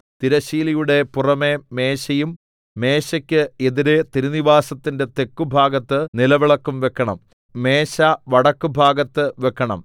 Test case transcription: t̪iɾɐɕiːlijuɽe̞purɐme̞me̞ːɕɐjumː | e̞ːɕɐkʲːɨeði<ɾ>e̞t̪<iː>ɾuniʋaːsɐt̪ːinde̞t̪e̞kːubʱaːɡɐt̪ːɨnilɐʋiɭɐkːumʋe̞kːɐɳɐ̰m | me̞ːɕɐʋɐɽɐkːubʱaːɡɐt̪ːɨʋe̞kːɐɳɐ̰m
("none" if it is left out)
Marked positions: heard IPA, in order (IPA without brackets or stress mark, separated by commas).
ɾ, i